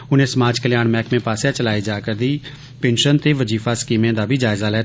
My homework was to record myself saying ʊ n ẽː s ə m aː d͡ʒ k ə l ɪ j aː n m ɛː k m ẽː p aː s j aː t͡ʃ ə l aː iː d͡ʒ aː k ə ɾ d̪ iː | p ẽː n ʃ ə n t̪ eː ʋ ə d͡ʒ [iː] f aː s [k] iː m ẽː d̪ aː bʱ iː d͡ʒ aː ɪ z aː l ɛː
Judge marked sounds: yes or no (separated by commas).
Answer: yes, yes